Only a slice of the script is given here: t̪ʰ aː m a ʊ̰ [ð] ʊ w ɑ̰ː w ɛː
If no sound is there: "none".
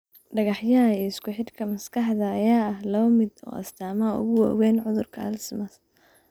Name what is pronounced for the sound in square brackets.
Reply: ɣ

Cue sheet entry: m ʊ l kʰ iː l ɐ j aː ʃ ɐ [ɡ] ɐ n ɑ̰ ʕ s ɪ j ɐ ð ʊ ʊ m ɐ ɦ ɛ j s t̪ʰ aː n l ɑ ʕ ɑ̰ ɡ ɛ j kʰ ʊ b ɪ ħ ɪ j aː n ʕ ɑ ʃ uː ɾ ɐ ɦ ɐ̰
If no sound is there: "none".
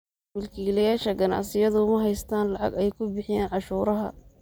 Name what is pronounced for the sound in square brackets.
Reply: ɡ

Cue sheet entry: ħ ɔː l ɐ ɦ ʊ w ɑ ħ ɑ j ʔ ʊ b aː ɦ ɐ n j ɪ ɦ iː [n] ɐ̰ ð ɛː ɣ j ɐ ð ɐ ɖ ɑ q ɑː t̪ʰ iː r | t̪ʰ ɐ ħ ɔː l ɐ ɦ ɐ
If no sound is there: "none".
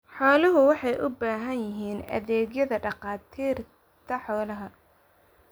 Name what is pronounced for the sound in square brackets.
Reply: n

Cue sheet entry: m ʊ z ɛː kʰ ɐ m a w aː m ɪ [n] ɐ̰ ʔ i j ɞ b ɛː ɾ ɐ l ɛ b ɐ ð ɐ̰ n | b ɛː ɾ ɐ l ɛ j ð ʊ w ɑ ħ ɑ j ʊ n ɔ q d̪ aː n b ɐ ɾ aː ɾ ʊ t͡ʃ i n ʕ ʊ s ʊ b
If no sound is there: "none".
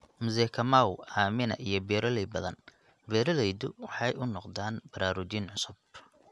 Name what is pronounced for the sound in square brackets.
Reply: n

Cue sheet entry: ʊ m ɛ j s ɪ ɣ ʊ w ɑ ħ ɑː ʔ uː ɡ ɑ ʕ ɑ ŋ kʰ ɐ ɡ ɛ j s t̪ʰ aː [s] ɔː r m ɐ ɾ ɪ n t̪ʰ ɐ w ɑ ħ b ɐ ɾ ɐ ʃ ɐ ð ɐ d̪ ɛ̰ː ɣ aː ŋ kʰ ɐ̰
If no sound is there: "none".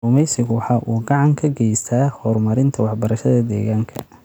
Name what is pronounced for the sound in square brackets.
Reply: h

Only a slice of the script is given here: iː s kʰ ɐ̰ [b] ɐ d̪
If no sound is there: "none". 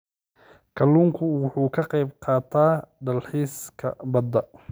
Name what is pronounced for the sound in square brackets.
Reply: b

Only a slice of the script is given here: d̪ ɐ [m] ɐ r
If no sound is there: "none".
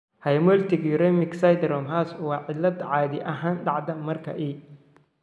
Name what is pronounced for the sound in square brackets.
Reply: m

